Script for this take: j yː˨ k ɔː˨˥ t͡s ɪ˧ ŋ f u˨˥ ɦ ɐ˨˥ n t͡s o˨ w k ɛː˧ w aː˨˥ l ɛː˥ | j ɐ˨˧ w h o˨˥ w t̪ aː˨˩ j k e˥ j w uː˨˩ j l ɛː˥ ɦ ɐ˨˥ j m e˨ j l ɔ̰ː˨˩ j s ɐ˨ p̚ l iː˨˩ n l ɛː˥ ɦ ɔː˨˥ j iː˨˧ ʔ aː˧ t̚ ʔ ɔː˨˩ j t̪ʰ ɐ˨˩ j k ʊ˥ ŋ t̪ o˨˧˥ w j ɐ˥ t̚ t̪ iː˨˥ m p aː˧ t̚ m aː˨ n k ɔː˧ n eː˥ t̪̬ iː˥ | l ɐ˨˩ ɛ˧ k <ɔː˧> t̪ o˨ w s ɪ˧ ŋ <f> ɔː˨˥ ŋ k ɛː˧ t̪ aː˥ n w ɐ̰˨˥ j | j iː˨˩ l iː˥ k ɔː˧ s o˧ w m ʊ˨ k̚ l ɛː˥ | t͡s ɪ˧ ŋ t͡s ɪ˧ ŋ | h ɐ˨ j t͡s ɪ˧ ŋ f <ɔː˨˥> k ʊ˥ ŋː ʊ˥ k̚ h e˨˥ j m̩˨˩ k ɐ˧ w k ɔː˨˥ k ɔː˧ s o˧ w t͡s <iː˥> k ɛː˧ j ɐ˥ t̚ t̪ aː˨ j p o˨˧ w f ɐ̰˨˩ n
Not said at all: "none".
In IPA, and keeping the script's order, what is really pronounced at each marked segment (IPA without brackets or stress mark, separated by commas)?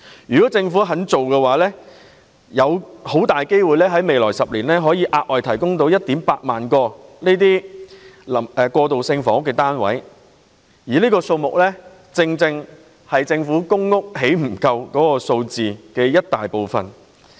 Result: ɔː˧, f, uː˨˥, iː˨